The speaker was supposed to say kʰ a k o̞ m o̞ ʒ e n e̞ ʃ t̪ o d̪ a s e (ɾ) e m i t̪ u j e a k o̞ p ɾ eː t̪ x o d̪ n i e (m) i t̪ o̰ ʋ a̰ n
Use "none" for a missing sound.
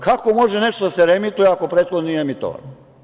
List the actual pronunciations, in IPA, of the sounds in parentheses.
ɾ, m

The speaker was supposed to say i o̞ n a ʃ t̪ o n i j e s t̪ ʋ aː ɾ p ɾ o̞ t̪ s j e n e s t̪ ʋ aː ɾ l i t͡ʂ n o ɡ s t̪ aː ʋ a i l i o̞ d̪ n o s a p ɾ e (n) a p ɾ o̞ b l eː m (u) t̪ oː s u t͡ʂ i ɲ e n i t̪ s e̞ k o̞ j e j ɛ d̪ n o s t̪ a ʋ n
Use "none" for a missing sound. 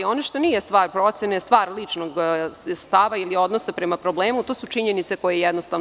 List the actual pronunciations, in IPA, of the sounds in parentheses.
m, u

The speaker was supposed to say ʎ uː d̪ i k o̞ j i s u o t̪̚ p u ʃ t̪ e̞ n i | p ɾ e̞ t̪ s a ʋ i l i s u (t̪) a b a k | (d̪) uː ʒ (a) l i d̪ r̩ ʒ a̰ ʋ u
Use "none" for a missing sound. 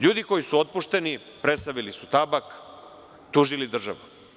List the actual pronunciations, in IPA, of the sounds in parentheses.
t̪, t̪, i

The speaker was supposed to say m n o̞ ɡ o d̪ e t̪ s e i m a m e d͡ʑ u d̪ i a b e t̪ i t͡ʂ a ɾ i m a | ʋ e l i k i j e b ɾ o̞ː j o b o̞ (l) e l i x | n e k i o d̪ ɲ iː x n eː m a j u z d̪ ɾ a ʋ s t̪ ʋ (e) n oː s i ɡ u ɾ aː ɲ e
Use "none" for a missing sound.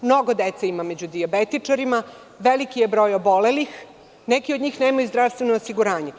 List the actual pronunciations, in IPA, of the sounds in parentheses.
l, e

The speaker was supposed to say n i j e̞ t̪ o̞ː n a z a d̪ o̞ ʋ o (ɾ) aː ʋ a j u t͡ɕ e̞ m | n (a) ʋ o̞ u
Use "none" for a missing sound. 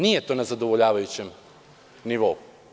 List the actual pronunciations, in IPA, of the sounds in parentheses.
ʎ, i

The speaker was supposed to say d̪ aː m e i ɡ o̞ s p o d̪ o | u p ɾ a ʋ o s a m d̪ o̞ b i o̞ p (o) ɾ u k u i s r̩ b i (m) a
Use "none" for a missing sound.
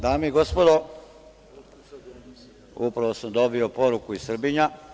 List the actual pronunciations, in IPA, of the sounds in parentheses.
o, ɲ

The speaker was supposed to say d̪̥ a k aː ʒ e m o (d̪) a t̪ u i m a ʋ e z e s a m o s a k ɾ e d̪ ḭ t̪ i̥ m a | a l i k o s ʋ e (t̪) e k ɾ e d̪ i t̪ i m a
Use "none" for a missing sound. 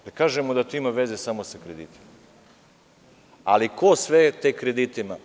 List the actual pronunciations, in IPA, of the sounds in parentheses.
d̪, t̪

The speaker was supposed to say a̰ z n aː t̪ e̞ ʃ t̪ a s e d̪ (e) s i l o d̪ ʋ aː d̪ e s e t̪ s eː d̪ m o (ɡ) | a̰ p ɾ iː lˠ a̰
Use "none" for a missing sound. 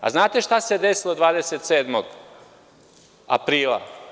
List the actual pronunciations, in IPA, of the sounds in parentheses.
e, ɡ

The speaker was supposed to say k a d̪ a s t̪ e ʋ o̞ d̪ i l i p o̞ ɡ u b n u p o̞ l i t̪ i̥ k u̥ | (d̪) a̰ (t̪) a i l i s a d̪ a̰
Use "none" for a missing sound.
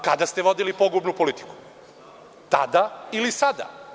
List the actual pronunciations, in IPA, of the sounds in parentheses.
t̪, d̪

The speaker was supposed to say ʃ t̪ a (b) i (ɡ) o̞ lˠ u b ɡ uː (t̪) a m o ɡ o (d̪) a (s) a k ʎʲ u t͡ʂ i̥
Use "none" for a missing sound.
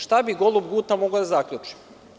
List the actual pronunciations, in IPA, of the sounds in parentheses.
b, ɡ, t̪, d̪, z

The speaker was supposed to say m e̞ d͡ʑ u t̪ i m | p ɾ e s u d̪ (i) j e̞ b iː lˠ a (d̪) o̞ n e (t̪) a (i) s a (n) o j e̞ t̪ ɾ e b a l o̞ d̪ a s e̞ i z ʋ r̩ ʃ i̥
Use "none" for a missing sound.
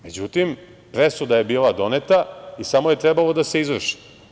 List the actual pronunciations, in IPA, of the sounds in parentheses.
a, d̪, t̪, i, m

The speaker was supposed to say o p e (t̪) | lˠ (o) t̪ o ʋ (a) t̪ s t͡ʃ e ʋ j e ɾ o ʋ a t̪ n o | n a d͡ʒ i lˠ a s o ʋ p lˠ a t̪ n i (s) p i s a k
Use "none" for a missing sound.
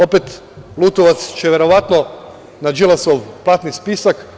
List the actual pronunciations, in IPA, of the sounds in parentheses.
t̪, u, a, s

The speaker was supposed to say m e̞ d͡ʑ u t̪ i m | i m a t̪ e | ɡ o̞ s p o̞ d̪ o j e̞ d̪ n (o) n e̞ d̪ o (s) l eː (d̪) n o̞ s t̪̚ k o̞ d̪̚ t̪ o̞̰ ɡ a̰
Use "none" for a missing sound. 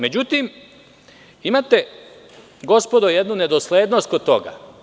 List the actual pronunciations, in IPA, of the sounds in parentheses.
u, s, d̪

